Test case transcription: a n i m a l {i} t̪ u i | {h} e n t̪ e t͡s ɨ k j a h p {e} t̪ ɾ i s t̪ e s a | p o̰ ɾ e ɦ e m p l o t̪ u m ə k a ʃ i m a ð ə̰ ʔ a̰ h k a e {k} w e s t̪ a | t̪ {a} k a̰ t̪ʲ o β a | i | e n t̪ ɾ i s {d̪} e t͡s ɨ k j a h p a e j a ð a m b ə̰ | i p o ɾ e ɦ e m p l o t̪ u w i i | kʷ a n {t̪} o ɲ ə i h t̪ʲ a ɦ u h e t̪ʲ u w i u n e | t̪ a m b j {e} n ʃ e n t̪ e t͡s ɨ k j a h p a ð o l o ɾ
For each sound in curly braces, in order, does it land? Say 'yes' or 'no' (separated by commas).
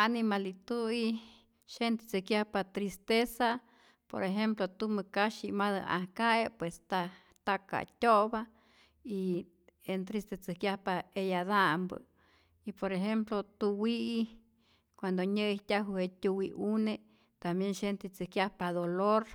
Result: yes, no, no, no, yes, no, no, yes